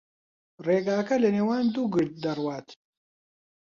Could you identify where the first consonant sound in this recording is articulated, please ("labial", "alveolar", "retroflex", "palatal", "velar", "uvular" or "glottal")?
alveolar